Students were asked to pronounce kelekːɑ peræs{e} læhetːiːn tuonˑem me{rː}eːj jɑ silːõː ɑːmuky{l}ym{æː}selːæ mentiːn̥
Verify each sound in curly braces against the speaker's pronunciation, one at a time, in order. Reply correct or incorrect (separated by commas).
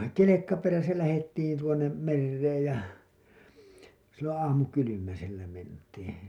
incorrect, correct, correct, incorrect